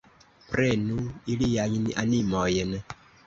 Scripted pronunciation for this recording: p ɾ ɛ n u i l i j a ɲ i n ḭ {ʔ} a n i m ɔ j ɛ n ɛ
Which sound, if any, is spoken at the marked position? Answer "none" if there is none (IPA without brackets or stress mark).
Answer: ʔ